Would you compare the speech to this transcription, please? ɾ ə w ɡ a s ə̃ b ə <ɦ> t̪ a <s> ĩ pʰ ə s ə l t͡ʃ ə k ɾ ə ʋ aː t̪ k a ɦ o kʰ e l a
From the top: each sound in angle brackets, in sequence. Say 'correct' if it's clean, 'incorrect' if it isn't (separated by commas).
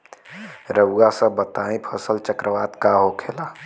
incorrect, incorrect